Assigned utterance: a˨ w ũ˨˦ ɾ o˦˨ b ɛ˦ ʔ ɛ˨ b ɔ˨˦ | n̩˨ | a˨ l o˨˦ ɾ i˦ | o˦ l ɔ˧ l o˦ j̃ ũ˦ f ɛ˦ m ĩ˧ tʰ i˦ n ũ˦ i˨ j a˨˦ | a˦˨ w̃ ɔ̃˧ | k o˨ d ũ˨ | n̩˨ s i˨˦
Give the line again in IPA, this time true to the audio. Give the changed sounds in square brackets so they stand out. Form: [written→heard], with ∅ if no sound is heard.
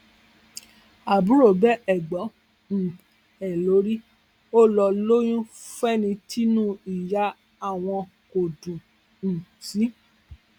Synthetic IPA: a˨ [w→b] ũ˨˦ ɾ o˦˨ b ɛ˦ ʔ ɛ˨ [b→ɡ͡b] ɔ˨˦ | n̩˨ | [a˨→ɛ˨] l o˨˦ ɾ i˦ | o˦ l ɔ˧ l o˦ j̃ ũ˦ f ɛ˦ [m→n] ĩ˧ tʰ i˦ n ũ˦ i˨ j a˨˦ | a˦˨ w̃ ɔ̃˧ | k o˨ d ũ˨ | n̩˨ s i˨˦

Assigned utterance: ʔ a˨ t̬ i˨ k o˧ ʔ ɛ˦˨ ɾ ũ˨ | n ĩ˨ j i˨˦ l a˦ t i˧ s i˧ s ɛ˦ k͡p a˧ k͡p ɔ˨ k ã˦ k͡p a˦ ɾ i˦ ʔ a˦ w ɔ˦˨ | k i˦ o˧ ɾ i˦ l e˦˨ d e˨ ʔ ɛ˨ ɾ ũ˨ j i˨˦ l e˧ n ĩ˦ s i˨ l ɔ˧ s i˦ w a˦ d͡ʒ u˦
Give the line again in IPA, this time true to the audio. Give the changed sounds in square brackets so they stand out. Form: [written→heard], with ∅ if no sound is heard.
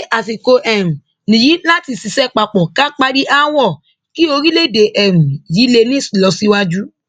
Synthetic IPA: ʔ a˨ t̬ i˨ k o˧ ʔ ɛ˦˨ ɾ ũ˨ | n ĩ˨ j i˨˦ l a˦ t i˧ s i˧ s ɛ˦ k͡p a˧ k͡p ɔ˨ k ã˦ k͡p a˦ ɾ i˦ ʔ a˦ w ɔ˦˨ | k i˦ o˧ ɾ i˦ l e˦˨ d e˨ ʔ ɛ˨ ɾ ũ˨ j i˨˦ l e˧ n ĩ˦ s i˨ l ɔ˧ s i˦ w a˦ d͡ʒ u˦

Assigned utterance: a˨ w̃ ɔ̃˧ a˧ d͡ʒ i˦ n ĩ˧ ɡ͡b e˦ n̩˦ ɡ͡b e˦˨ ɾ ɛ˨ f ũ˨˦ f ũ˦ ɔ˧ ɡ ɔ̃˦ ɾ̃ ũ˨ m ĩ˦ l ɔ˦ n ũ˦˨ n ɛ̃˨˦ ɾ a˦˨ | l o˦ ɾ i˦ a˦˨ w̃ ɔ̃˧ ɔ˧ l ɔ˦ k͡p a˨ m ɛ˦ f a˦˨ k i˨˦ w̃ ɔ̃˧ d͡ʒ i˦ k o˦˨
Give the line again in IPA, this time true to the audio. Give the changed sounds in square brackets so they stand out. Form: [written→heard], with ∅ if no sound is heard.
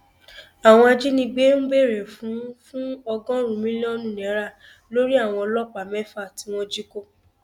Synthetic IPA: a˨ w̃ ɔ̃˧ a˧ d͡ʒ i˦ n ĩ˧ ɡ͡b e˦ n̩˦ ɡ͡b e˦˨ ɾ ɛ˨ f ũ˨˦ f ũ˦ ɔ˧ ɡ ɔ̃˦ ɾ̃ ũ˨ m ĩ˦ l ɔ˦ n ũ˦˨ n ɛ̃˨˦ ɾ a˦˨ | l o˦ ɾ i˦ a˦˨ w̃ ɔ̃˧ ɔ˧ l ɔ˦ k͡p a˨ m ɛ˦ f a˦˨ [k→t] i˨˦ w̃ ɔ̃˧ d͡ʒ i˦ k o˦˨

